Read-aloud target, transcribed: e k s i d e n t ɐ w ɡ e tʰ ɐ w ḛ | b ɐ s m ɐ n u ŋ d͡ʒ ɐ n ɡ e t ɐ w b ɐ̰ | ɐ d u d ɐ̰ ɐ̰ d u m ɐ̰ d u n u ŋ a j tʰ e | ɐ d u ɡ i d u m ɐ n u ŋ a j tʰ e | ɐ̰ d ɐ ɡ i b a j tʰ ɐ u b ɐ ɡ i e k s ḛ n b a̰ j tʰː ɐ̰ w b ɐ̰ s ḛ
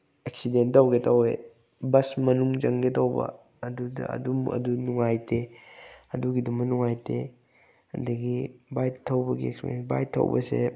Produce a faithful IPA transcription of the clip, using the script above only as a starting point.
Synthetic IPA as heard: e k s i d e n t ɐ w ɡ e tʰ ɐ w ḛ | b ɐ s m ɐ n u ŋ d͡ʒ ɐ ŋ ɡ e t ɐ w b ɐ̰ | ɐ d u d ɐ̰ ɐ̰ d u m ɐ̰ d u n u ŋ a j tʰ e | ɐ d u ɡ i d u m ɐ n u ŋ a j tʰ e | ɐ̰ d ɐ ɡ i b a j tʰ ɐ w b ɐ ɡ i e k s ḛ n b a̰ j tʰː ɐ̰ w b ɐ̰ s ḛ